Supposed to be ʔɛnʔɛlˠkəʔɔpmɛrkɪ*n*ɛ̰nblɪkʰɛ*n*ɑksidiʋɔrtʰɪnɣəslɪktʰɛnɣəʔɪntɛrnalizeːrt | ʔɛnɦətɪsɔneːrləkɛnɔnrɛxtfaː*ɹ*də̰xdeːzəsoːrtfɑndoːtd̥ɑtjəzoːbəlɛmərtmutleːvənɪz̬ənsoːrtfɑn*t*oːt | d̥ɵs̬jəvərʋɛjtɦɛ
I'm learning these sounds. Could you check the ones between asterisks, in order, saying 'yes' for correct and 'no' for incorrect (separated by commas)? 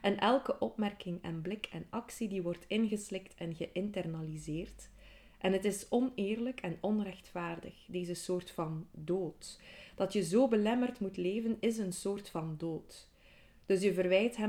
no, yes, no, no